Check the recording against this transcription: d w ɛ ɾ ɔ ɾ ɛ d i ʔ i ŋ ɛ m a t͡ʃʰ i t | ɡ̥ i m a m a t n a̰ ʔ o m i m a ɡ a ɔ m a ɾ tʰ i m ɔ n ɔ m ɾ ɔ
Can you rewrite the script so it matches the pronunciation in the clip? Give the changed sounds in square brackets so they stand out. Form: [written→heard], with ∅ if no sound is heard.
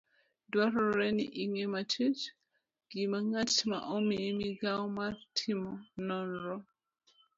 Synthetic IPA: d w [ɛ→a] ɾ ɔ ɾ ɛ [d→n] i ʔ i ŋ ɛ m a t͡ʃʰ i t | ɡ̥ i m a [m→ŋ] a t [n→m] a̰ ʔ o m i m [a→i] ɡ a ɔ m a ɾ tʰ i m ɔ n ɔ [m→n] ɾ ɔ